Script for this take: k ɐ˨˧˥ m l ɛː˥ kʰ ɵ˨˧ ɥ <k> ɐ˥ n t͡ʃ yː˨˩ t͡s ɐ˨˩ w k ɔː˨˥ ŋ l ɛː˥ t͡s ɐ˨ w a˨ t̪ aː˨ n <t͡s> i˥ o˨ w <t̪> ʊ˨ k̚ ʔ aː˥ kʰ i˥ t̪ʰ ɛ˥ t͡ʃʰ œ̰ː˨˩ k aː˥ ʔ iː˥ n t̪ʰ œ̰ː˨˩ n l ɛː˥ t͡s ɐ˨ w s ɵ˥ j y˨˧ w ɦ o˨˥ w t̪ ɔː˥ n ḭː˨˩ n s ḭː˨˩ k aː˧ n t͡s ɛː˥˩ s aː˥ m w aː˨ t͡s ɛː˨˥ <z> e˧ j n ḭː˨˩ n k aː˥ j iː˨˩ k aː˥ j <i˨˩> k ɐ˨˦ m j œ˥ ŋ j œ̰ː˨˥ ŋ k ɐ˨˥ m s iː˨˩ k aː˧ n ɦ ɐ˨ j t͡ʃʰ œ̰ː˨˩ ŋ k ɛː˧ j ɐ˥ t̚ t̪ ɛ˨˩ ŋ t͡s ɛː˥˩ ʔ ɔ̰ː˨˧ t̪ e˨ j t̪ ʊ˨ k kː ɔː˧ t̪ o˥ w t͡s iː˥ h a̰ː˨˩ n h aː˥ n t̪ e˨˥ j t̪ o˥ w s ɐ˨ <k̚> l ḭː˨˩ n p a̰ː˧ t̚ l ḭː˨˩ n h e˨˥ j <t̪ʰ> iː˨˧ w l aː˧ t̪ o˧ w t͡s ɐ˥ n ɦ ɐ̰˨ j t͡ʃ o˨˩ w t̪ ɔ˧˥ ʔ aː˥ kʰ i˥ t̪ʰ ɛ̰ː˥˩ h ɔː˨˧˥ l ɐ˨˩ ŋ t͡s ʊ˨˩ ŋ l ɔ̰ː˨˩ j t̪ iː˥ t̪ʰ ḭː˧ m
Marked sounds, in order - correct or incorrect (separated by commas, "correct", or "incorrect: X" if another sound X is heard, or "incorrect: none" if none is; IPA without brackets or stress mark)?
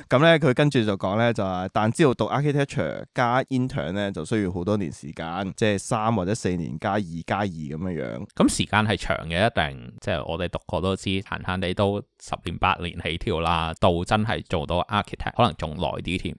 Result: correct, correct, correct, incorrect: s, incorrect: iː˨˩, incorrect: p̚, correct